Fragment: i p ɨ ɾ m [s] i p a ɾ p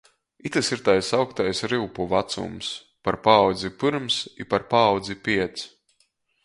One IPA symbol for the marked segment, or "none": s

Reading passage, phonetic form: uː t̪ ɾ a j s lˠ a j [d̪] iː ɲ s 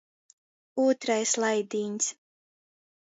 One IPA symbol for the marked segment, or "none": d̪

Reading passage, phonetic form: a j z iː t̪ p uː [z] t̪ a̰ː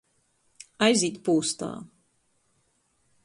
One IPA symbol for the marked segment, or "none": s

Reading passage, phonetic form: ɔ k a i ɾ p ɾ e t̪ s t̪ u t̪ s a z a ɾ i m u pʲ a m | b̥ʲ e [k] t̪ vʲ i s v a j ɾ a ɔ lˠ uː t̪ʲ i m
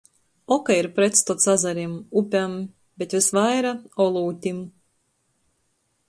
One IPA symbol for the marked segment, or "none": none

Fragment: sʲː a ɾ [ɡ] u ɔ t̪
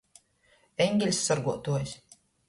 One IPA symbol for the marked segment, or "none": ɡ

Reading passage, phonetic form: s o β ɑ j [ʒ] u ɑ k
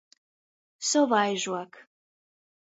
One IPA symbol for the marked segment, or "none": ʒ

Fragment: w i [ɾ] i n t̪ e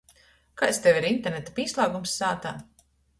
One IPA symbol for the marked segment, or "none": ɾ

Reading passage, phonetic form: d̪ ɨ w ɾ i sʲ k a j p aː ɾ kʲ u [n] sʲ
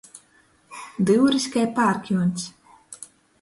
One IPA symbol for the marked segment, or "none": n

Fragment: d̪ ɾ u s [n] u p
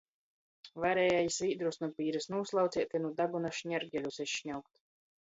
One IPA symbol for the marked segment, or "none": n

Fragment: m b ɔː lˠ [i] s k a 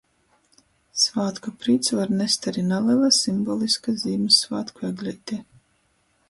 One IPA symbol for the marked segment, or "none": i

